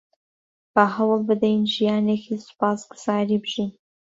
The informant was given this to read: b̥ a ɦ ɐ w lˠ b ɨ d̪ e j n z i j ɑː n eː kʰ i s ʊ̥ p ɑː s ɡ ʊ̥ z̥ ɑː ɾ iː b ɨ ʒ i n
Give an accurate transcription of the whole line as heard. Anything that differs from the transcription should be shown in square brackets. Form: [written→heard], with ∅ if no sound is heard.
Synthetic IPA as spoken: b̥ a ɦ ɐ w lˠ b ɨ d̪ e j n [z→ʒ] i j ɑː n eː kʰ i s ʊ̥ p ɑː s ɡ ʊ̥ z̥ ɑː ɾ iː b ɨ ʒ i n